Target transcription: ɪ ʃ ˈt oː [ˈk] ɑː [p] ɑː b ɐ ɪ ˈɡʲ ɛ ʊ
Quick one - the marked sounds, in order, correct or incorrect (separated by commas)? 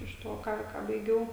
correct, incorrect